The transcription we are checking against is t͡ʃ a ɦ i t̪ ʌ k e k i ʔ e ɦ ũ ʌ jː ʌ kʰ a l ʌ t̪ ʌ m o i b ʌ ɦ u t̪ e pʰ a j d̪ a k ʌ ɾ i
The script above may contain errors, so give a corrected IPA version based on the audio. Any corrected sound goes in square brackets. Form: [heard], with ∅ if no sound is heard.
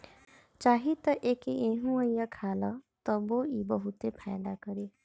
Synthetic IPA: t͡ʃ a ɦ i t̪ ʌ [ʔ] e k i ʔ e ɦ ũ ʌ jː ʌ kʰ a l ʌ t̪ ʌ [b] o i b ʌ ɦ u t̪ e pʰ a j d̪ a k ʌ ɾ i

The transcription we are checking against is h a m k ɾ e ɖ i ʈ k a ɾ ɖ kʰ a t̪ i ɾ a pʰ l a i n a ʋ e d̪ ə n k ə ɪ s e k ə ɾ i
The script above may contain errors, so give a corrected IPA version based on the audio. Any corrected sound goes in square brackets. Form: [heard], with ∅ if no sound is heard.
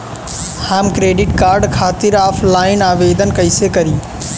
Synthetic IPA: h a m k ɾ e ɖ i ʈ k a ɾ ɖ kʰ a t̪ i ɾ a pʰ l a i n a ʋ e d̪ ə n k ə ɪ s e k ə ɾ i

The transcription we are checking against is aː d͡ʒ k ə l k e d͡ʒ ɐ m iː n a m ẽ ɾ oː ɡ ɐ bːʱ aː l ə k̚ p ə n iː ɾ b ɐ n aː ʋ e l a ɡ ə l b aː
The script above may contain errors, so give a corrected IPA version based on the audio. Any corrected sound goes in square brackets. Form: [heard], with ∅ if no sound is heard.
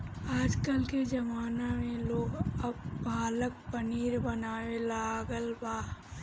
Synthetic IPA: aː d͡ʒ k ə l k e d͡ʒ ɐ m [aː] n a m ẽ [l] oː ɡ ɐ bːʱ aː l ə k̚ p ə n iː ɾ b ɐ n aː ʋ e l a ɡ ə l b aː

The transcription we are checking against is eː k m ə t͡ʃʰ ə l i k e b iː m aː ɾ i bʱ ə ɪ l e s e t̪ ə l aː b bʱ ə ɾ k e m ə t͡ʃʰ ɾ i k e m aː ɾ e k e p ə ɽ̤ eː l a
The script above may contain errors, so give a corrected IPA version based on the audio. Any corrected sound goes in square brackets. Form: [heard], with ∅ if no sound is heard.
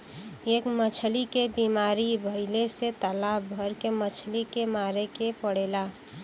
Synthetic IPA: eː k m ə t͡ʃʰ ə l i k e b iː m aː ɾ i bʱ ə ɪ l e s e t̪ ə l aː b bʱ ə ɾ k e m ə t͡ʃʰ [l] i k e m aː ɾ e k e p ə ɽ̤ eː l a

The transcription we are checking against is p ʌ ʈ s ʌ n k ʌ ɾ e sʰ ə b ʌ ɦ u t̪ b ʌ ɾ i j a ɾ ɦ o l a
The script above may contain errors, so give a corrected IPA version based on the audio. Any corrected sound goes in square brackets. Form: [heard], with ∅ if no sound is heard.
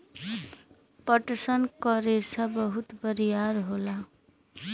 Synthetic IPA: p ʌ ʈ s ʌ n k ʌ ɾ e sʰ [ʌ] b ʌ ɦ u t̪ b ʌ ɾ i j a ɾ ɦ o l a

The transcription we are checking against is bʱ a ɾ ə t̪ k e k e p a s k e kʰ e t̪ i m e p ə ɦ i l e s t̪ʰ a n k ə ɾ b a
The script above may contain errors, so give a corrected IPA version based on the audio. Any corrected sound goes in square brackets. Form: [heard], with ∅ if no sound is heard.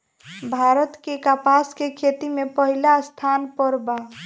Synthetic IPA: bʱ a ɾ ə t̪ k e k [a] p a s k e kʰ e t̪ i m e p ə ɦ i l [a] s t̪ʰ a n [p] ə ɾ b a

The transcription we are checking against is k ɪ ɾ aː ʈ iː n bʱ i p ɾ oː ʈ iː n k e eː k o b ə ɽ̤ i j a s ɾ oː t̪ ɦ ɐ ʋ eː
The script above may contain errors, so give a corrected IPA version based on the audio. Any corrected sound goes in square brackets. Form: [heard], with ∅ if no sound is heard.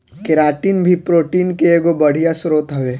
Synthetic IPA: k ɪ ɾ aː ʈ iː n bʱ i p ɾ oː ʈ iː n k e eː [ɡ] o b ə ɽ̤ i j a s ɾ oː t̪ ɦ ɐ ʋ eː

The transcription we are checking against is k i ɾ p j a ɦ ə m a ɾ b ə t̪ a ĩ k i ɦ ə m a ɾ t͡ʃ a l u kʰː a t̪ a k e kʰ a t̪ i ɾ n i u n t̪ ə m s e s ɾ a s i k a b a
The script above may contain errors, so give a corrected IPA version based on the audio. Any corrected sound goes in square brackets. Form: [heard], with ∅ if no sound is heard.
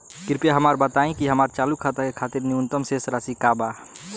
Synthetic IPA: k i ɾ p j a ɦ ə m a ɾ b ə t̪ a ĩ k i ɦ ə m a ɾ t͡ʃ a l u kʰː a t̪ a k e kʰ a t̪ i ɾ n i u n t̪ ə m s e s ɾ a s i k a b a

